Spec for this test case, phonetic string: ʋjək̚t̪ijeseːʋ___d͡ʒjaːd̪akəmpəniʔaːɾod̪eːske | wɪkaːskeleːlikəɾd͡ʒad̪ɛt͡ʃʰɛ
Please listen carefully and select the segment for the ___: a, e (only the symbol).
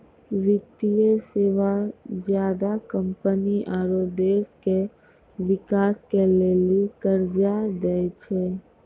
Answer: a